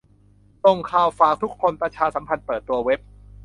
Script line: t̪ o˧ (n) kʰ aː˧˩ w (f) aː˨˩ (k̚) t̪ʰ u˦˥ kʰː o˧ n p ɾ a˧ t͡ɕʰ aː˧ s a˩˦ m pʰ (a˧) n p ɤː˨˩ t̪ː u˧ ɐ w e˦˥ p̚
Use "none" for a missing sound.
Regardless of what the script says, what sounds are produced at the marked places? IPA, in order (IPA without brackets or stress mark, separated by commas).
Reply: ŋ, f, k̚, a˧